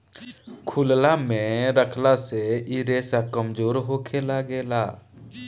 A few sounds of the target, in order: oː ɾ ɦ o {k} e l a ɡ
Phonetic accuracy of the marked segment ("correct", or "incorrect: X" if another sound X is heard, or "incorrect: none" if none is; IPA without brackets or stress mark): incorrect: kʰ